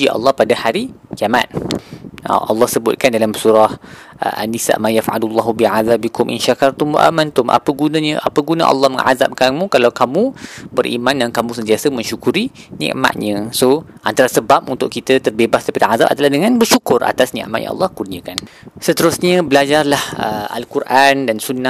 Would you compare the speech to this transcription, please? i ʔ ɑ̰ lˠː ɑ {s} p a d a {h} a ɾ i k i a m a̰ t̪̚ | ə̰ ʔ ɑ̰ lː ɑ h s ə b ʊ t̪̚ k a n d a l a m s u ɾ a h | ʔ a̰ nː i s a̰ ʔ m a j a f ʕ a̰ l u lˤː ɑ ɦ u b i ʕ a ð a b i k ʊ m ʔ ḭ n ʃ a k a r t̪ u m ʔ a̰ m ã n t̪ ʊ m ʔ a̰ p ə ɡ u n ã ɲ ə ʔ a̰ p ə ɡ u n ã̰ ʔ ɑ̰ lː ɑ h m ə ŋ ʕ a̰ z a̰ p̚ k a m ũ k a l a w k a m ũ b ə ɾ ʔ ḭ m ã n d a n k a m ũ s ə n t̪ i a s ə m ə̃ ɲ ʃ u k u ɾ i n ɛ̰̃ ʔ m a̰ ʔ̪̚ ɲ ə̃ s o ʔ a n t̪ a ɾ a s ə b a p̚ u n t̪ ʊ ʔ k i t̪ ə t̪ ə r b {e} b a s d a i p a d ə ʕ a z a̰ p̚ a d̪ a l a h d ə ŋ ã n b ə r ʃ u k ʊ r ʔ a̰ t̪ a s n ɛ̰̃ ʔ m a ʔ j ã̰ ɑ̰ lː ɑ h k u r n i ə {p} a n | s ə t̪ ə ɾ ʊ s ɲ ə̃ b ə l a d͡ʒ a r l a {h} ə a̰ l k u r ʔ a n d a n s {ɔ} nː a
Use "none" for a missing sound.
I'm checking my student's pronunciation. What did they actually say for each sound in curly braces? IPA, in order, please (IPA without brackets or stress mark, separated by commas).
h, h, e, k, h, u